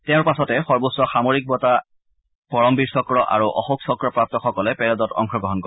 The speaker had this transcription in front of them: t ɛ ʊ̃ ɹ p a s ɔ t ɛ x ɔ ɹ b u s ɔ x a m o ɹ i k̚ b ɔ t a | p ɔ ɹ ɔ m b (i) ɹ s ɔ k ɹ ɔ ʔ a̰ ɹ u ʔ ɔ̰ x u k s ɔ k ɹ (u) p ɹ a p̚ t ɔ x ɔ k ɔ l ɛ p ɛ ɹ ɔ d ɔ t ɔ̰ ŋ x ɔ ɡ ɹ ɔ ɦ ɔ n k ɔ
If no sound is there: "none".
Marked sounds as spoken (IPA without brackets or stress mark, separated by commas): i, ɔ